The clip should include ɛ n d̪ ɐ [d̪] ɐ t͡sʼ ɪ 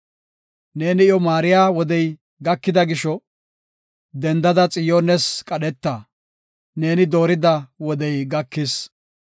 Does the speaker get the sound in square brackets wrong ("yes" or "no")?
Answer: no